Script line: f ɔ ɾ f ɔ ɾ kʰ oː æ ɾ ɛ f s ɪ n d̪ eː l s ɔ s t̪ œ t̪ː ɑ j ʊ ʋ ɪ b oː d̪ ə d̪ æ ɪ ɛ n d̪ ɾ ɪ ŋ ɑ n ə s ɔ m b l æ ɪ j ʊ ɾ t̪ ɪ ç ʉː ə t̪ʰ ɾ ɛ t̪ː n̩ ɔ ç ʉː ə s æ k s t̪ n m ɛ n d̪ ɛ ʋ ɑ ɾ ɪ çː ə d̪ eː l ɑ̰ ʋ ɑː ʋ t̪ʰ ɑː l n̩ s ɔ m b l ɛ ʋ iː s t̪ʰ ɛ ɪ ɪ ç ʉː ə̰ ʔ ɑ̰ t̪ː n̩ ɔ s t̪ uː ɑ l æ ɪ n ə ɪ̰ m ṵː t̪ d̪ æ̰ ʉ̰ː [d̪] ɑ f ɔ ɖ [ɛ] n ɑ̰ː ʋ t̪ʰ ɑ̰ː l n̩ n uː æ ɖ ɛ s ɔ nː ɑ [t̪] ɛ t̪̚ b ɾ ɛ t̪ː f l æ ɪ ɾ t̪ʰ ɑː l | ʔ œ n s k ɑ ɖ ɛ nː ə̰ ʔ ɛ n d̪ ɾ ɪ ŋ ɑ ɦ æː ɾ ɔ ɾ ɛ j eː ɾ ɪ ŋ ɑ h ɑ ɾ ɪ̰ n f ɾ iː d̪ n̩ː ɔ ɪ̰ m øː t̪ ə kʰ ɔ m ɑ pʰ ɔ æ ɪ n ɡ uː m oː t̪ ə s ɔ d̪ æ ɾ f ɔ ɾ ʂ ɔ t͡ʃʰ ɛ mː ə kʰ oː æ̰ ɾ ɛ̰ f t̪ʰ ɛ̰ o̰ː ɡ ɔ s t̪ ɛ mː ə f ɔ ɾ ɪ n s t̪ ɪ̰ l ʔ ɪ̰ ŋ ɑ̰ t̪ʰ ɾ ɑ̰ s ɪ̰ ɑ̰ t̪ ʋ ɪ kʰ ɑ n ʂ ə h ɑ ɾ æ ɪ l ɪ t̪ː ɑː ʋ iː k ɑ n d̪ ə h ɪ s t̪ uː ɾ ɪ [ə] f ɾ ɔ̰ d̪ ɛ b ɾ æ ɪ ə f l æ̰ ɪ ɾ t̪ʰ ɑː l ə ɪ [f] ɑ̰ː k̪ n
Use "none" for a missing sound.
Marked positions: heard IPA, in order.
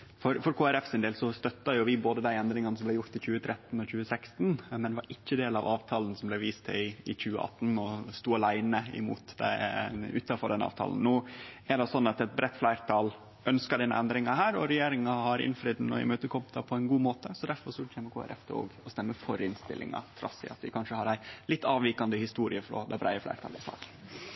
t̪, ɛ, t̪, ə, s

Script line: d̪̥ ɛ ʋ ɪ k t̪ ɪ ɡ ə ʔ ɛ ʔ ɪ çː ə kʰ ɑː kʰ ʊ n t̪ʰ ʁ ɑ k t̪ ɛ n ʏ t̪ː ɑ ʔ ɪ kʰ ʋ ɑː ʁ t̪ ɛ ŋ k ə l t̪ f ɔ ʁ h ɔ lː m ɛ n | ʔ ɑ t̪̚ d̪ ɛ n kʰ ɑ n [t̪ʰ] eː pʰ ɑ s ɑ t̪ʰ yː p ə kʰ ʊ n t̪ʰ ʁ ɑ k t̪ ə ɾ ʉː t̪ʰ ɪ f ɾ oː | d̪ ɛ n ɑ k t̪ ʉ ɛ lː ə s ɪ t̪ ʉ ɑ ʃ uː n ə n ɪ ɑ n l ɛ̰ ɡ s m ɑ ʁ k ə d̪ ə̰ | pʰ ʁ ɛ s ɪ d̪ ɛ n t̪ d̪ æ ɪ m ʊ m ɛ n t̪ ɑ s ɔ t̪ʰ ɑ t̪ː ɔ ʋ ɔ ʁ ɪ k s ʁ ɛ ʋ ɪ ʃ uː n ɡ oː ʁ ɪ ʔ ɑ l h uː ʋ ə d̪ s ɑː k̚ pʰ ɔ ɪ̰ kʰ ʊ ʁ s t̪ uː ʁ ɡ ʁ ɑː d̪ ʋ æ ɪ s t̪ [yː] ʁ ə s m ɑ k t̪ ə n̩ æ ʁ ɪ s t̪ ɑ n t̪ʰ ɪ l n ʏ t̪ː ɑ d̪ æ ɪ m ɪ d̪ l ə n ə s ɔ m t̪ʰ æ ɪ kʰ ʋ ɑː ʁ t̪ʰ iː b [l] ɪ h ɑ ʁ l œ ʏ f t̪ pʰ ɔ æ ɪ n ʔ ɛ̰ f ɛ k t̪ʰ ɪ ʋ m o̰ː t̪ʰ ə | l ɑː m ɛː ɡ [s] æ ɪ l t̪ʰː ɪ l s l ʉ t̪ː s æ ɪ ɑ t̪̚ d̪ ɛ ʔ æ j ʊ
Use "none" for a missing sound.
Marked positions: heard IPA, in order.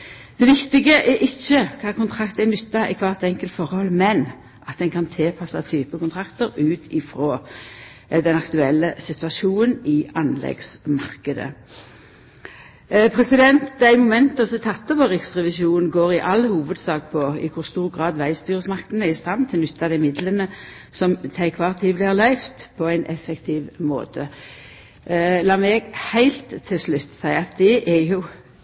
t̪ʰ, yː, l, h

